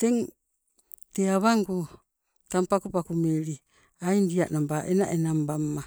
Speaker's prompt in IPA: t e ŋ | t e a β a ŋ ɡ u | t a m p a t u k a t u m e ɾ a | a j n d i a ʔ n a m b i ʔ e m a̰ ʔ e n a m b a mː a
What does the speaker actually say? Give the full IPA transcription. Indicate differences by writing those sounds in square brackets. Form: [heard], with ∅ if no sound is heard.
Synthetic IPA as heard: t e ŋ | t e a β a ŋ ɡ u | t a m p a [k] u [p] a [k] u m e ɾ [i] | a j n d i a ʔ n a m b [a] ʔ e [n] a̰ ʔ e n a m b a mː a